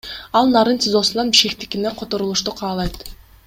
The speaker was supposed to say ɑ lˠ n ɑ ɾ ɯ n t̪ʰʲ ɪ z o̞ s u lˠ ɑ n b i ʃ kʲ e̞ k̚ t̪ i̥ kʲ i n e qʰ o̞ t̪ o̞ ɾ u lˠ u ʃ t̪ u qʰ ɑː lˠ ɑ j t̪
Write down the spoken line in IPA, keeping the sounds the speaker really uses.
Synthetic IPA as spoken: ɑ lˠ n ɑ ɾ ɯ n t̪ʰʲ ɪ z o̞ s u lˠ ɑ n b i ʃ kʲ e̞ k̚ t̪ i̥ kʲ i n e qʰ o̞ t̪ o̞ ɾ u lˠ u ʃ t̪ u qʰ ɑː lˠ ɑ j t̪